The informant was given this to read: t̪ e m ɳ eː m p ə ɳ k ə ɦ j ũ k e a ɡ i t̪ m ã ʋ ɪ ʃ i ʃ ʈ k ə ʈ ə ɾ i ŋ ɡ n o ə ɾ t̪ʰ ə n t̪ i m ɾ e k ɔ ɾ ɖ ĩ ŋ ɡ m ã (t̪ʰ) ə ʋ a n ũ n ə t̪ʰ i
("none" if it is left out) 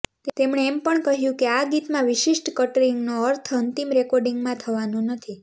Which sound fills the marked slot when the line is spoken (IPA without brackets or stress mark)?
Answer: t̪ʰ